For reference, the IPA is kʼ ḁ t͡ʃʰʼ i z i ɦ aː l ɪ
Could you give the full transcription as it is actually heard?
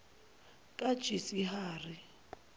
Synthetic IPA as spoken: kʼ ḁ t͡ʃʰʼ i s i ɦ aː r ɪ